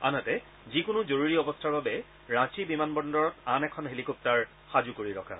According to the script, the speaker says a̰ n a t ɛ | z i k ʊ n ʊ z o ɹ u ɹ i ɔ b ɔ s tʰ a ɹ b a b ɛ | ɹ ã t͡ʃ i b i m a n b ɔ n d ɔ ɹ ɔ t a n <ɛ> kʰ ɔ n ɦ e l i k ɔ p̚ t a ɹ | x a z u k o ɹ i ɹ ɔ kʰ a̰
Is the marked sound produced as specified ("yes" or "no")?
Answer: yes